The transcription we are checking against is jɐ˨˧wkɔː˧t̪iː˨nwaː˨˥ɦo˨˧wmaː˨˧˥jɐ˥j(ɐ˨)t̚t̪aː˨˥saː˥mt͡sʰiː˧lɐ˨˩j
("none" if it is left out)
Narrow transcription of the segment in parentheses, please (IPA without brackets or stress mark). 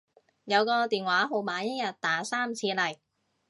ɐ˨